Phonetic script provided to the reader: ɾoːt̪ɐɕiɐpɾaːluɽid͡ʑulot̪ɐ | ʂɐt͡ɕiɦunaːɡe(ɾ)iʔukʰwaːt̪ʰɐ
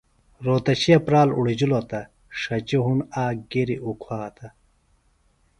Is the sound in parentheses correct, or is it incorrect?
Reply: correct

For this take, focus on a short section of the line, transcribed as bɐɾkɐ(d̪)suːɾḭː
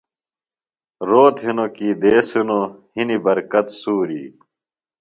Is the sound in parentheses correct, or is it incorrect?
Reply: incorrect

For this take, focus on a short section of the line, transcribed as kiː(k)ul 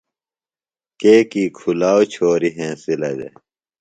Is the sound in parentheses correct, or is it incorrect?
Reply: incorrect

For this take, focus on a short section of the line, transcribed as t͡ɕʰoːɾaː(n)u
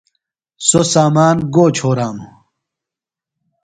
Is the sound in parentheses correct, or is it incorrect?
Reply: incorrect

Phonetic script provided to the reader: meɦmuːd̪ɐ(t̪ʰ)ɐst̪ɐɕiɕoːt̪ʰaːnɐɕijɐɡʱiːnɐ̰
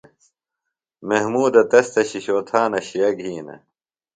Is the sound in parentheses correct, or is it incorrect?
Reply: incorrect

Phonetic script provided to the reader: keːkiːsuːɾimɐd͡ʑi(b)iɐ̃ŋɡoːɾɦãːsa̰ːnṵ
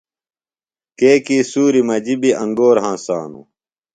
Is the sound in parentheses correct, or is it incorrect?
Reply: correct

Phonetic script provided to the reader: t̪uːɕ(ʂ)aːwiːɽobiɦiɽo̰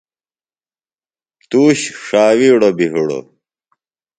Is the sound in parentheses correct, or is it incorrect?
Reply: correct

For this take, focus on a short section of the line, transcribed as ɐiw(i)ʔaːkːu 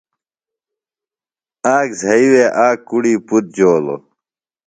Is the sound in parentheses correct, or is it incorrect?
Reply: incorrect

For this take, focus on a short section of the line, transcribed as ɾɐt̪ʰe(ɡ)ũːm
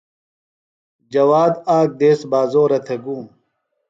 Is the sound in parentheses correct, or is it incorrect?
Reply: correct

